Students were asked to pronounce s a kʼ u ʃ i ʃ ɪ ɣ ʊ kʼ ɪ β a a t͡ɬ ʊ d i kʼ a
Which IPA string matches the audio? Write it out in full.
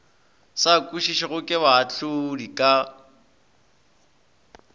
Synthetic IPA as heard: s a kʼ u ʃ i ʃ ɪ ɣ ʊ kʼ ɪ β a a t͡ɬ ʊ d i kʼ a